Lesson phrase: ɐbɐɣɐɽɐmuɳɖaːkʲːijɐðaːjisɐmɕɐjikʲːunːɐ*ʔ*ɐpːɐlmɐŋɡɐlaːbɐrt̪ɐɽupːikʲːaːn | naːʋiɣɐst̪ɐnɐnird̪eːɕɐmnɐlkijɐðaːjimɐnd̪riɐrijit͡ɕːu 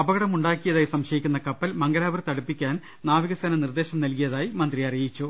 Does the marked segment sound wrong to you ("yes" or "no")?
yes